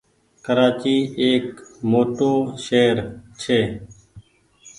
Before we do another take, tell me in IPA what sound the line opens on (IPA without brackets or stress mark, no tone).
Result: k